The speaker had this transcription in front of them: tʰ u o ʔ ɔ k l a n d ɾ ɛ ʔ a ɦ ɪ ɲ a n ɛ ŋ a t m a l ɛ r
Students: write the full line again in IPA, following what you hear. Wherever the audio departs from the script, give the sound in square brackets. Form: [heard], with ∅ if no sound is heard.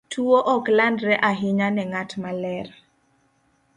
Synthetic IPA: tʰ u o ʔ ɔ k l a n d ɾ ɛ ʔ a ɦ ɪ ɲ a n ɛ ŋ a t m a l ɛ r